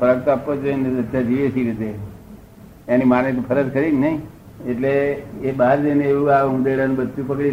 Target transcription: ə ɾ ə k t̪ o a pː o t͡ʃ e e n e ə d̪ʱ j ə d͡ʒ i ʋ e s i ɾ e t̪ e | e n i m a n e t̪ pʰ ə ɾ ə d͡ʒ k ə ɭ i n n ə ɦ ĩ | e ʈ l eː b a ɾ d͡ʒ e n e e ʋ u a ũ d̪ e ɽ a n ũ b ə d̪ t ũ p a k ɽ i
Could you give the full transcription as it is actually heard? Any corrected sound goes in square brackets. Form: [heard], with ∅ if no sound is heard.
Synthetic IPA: ə ɾ ə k t̪ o a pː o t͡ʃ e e n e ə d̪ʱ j [a] d͡ʒ i ʋ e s i ɾ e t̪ e | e n i m a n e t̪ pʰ ə ɾ ə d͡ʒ k ə [ɾ] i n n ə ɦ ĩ | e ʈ l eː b a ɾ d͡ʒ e n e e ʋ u a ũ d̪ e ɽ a n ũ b ə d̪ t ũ p [ə] k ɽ i